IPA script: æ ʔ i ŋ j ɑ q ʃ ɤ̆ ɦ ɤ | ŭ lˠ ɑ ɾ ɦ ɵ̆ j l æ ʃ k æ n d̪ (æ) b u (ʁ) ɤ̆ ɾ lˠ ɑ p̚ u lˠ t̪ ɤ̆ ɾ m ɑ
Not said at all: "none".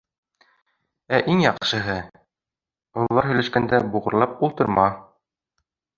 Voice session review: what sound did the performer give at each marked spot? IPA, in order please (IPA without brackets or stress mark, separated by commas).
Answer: æ, ʁ